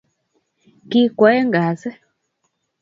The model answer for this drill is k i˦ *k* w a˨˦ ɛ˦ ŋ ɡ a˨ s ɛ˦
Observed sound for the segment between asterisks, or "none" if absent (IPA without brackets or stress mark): k